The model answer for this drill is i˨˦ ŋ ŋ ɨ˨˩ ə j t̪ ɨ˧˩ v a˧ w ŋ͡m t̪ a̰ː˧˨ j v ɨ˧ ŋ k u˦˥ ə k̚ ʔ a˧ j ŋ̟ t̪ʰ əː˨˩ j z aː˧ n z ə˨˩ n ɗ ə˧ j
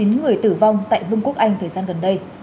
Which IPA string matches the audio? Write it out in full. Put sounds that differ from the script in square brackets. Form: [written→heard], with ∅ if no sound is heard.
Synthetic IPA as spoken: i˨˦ [ŋ→n] ŋ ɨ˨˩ ə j t̪ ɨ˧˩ v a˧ w ŋ͡m t̪ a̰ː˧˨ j v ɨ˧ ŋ k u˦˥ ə k̚ ʔ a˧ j ŋ̟ t̪ʰ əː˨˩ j z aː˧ n [z→ɣ] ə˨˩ n ɗ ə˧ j